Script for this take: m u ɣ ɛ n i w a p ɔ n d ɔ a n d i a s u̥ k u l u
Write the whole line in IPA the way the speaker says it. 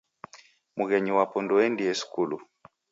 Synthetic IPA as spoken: m u ɣ ɛ ɲ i w a p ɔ n d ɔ ɛ n d i ɛ s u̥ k u l u